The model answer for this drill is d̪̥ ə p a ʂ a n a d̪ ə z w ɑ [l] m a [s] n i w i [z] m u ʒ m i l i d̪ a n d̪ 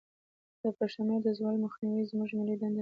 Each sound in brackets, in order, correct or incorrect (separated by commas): correct, incorrect, correct